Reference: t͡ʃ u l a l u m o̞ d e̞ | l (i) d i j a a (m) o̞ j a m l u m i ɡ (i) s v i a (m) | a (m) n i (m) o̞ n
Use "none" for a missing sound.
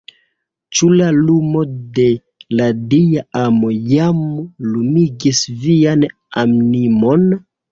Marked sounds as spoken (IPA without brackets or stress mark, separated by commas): a, m, i, n, m, m